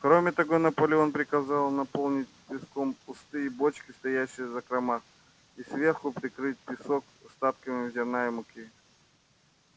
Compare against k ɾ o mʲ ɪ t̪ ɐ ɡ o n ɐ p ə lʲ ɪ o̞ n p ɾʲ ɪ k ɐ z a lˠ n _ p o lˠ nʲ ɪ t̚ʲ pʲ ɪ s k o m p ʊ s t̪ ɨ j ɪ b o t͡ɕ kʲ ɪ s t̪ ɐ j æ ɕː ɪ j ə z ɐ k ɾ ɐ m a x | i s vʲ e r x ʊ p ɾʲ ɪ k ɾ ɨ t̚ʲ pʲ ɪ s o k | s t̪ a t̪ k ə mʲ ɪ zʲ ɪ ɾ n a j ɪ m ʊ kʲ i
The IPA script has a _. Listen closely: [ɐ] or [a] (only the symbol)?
ɐ